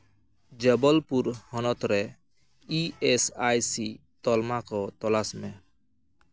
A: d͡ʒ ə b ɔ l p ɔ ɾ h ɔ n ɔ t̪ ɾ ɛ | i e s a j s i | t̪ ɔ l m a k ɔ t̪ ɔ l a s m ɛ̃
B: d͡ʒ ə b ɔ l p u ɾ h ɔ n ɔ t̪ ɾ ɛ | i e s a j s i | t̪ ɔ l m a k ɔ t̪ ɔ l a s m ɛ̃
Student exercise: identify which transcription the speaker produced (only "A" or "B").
B